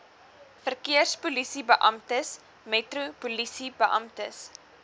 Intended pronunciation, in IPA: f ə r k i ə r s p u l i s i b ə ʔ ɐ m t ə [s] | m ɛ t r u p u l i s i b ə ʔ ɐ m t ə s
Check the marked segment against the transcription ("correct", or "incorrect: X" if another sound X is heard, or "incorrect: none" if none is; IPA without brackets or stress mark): correct